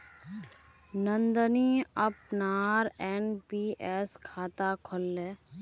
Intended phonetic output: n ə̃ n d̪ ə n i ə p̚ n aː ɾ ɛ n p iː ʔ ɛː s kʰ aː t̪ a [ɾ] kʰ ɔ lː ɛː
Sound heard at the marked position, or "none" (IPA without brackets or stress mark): none